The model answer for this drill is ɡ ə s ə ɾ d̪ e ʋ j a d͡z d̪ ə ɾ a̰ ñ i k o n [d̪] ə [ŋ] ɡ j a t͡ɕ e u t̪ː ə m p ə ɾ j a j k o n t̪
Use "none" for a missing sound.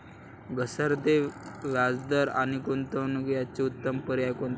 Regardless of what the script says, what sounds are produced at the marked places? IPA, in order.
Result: t̪, n

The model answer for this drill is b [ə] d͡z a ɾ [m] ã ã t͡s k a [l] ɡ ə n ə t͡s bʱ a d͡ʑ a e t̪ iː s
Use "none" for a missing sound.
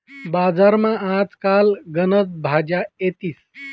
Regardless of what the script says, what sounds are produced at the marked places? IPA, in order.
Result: a, m, l

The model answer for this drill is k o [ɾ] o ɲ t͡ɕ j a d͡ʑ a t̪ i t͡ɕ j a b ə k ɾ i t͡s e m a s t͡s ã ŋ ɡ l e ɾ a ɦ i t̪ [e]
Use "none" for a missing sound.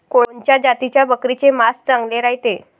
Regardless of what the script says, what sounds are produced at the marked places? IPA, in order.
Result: ɭ, e

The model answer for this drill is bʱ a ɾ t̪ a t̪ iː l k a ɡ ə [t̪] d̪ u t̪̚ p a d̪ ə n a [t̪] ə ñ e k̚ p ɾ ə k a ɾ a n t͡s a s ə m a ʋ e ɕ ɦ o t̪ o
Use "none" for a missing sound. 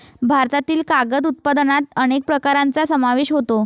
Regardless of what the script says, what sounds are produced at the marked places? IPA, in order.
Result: none, t̪

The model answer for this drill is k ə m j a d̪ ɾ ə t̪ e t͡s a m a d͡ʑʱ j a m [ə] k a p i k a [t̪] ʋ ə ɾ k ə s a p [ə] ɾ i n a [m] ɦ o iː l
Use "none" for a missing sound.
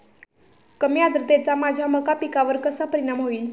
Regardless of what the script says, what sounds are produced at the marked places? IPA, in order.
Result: ə, none, ə, m

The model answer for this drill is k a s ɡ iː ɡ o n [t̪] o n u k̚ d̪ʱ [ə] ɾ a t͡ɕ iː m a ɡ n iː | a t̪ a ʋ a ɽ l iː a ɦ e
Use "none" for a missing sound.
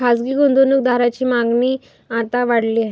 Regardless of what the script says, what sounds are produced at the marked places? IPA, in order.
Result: d̪, a

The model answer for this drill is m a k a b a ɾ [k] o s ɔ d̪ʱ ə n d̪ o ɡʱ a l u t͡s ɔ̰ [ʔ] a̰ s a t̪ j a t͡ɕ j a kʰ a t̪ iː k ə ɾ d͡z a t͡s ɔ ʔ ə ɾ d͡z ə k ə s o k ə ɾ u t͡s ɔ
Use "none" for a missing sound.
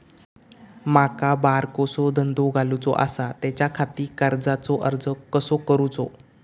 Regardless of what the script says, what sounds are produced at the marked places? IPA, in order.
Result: k, ʔ

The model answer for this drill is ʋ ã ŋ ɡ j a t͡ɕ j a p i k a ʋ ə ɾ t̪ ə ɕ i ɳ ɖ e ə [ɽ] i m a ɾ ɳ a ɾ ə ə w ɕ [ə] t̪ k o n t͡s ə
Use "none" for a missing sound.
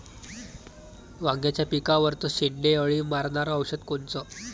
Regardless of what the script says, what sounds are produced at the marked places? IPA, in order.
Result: ɭ, ə

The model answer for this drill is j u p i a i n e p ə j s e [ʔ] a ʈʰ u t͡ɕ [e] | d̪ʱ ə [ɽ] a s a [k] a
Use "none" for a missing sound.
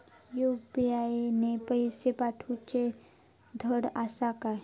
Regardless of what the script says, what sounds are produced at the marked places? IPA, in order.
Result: p, e, ɽ, k

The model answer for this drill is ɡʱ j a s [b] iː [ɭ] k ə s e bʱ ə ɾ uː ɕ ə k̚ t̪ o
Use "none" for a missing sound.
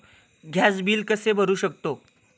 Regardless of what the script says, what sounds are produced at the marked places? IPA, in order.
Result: b, l

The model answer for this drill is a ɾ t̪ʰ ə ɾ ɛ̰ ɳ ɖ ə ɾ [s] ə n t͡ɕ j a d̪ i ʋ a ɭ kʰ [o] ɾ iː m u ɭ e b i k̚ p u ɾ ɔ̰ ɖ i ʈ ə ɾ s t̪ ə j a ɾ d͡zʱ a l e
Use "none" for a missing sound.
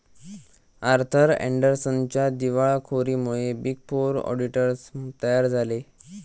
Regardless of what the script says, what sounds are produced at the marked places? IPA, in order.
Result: s, o

